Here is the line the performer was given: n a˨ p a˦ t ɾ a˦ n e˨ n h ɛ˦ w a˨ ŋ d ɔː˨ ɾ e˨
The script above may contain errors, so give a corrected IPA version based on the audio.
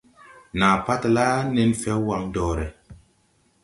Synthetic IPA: n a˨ p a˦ t l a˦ n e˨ n f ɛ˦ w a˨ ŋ d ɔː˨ ɾ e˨